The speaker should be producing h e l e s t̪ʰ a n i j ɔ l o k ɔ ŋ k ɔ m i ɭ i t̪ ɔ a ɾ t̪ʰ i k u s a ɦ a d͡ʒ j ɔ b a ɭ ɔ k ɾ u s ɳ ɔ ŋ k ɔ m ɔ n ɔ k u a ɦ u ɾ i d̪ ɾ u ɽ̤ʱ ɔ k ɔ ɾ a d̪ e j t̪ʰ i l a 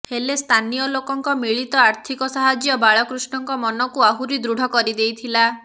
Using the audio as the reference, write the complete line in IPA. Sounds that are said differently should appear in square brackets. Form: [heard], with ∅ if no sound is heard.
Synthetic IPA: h e l e s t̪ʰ a n i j ɔ l o k ɔ ŋ k ɔ m i ɭ i t̪ ɔ a ɾ t̪ʰ i k [ɔ] s a ɦ a d͡ʒ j ɔ b a ɭ ɔ k ɾ u s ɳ ɔ ŋ k ɔ m ɔ n ɔ k u a ɦ u ɾ i d̪ ɾ u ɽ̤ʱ ɔ k ɔ ɾ [i] d̪ e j t̪ʰ i l a